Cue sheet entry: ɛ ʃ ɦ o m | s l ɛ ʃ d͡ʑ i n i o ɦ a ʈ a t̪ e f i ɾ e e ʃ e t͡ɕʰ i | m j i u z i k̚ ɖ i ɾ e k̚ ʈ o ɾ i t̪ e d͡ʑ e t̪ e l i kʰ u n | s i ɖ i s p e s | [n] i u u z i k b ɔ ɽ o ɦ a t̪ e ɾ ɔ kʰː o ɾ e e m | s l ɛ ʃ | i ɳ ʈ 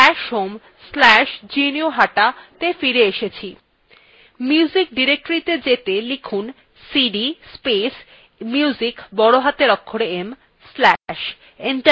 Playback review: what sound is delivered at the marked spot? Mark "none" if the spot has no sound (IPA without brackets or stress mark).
m